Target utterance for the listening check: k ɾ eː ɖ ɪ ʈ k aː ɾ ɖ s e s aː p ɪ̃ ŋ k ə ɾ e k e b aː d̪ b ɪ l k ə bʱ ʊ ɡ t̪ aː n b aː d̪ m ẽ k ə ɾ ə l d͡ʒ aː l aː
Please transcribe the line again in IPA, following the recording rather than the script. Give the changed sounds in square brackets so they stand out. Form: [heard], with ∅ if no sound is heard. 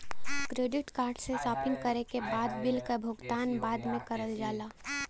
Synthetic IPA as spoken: k ɾ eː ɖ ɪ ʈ k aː ɾ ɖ s e s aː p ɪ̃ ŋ k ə ɾ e k e b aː d̪ b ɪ l k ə bʱ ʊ ɡ t̪ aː n b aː d̪ m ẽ k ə ɾ ə l d͡ʒ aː l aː

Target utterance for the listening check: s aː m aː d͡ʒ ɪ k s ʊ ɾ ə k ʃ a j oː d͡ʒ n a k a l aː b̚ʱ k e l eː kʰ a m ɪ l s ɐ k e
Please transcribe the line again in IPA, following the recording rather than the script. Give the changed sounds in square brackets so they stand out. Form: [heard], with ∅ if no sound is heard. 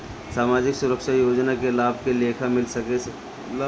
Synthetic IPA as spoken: s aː m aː d͡ʒ ɪ k s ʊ ɾ ə k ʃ a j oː d͡ʒ n a k [e] l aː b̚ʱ k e l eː kʰ a m ɪ l s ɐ k e

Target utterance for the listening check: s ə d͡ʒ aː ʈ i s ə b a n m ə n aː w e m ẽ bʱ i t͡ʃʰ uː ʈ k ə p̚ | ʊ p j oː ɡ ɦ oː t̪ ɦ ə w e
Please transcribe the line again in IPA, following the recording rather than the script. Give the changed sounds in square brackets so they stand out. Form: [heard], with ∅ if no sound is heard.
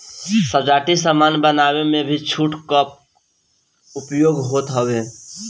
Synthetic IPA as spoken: s ə d͡ʒ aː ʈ i s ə [m] a n [b] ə n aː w e m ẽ bʱ i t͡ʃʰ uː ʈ k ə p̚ | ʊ p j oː ɡ ɦ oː t̪ ɦ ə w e

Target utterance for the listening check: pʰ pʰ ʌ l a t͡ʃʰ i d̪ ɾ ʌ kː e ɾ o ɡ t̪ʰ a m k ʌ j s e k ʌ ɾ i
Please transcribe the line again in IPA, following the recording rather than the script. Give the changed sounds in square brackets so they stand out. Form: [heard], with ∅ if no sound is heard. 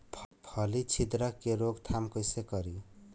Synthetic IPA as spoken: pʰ pʰ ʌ l [i] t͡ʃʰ i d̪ ɾ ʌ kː e ɾ o ɡ t̪ʰ a m k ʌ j s e k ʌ ɾ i

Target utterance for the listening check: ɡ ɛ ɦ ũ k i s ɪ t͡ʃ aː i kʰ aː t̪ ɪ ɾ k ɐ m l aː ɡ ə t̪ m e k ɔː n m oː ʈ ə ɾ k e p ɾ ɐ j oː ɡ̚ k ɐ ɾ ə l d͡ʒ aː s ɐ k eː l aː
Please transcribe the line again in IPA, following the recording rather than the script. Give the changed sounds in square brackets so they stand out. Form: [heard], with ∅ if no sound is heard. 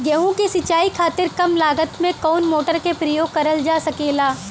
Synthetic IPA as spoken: ɡ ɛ ɦ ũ k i s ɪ t͡ʃ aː i kʰ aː t̪ ɪ ɾ k ɐ m l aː ɡ ə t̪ m [ẽ] k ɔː n m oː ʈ ə ɾ k e p ɾ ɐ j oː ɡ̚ k ɐ ɾ ə l d͡ʒ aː s ɐ k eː l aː

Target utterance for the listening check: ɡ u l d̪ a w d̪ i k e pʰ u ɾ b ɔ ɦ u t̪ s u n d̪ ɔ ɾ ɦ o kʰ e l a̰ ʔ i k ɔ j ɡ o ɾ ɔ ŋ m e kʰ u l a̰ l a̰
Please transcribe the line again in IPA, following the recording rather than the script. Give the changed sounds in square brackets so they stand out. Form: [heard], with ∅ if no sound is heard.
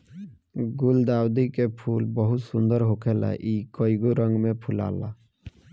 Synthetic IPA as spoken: ɡ u l d̪ a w d̪ i k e pʰ u [l] b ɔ ɦ u t̪ s u n d̪ ɔ ɾ ɦ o kʰ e l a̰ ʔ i k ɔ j ɡ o ɾ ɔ ŋ m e [pʰ] u l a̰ l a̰

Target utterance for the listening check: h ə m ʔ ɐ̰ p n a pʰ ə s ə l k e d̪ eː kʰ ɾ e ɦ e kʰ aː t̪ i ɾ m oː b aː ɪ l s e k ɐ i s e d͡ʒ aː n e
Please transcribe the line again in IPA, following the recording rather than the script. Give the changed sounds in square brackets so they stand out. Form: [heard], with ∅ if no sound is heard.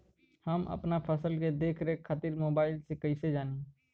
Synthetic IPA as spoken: h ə m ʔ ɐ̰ p n a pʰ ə s ə l k e d̪ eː kʰ ɾ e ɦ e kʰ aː t̪ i ɾ m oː b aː ɪ l s e k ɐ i s e d͡ʒ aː n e

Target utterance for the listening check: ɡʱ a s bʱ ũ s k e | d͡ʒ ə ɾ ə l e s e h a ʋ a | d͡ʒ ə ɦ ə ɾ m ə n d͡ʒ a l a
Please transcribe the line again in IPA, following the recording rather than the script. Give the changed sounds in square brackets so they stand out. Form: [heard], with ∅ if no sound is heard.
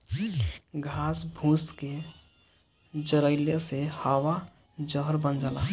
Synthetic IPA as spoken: ɡʱ a s bʱ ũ s k e | d͡ʒ ə ɾ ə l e s e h a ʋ a | d͡ʒ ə ɦ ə ɾ [b] ə n d͡ʒ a l a

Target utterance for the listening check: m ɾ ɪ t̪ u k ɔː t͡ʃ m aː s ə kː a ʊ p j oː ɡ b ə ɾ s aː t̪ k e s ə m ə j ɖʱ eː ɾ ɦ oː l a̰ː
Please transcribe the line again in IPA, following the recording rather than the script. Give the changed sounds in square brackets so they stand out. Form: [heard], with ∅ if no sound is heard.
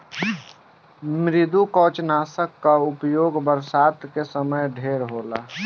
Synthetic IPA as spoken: m ɾ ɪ [d̪] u k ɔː t͡ʃ [n] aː s ə kː a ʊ p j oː ɡ b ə ɾ s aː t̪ k e s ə m ə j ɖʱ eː ɾ ɦ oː l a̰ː

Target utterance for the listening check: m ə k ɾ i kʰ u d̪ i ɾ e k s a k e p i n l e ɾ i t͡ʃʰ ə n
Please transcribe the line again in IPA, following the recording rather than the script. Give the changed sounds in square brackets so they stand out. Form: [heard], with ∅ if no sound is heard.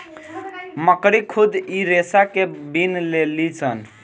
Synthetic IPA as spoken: m ə k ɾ i kʰ u d̪ i ɾ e [∅] s a k e [b] i n l e [l] i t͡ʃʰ ə n

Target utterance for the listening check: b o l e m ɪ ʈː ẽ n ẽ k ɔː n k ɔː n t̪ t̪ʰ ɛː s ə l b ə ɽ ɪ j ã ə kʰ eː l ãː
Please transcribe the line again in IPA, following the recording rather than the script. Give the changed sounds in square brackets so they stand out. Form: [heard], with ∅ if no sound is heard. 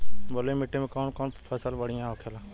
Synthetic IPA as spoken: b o l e m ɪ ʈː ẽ [m] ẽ k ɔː n k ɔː n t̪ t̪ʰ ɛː s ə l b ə ɽ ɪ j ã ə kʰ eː l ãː

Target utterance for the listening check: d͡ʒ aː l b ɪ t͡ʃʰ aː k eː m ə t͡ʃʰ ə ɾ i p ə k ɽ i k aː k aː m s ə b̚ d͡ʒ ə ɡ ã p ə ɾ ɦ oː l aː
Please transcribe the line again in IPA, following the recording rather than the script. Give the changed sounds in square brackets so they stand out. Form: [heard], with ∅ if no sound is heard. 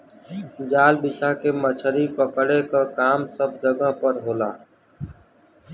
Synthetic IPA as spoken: d͡ʒ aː l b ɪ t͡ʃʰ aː k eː m ə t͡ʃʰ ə ɾ i p ə k ɽ [e] k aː k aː m s ə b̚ d͡ʒ ə ɡ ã p ə ɾ ɦ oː l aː

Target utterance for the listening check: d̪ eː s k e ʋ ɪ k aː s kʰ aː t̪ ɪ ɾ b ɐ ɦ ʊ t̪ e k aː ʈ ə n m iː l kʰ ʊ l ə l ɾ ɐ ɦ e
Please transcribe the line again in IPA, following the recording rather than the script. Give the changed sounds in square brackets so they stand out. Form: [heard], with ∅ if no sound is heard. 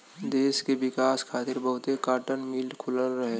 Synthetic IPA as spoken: d̪ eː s k e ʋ ɪ k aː s kʰ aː t̪ ɪ ɾ b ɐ ɦ ʊ t̪ e k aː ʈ ə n m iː l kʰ ʊ l ə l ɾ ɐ ɦ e

